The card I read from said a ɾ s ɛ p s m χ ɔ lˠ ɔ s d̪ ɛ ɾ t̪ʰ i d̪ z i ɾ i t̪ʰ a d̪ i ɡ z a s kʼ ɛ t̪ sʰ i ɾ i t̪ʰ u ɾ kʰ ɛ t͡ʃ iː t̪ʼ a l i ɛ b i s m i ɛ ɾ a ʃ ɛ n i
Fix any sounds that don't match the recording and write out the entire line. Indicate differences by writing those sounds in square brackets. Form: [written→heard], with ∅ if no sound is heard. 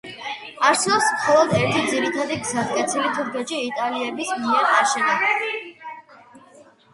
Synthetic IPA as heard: a ɾ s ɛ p s m χ ɔ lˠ ɔ [s→∅] d̪ ɛ ɾ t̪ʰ i d̪ z i ɾ i t̪ʰ a d̪ i ɡ z a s kʼ ɛ t̪ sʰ i [ɾ→l] i t̪ʰ u ɾ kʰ ɛ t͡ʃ iː t̪ʼ a l i ɛ b i s m i ɛ ɾ a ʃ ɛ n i